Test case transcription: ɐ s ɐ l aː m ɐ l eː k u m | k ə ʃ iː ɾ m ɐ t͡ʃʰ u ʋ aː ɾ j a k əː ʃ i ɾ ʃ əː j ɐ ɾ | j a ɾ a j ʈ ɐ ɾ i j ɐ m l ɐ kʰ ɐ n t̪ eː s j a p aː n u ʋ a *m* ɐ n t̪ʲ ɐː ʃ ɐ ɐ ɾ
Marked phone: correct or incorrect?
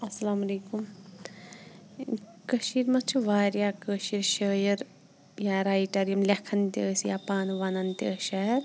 incorrect